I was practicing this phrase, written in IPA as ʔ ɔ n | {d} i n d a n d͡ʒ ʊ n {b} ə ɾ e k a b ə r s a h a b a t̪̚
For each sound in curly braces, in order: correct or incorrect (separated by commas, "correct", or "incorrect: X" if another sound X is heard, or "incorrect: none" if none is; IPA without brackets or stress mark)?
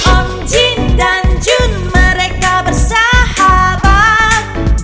incorrect: d͡ʒ, incorrect: m